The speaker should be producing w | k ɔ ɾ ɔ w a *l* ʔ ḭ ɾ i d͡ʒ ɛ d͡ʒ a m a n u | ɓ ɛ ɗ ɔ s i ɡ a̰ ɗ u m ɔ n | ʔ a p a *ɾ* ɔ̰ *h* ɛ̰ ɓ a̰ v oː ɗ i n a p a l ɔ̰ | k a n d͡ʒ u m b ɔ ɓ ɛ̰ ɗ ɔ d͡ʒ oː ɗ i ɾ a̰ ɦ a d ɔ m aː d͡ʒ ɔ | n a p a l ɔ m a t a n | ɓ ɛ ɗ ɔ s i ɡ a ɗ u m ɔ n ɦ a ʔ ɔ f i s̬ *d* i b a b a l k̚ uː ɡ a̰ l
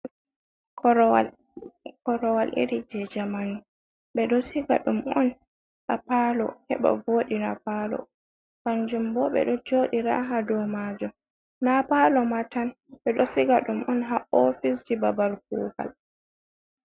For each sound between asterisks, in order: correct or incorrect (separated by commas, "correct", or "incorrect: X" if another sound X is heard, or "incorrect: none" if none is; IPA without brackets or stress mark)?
correct, incorrect: l, correct, incorrect: d͡ʒ